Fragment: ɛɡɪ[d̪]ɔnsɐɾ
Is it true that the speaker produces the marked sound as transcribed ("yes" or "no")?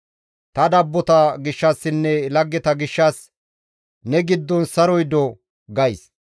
no